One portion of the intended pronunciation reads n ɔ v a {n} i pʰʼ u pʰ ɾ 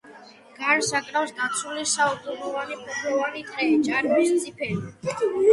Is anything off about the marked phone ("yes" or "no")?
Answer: no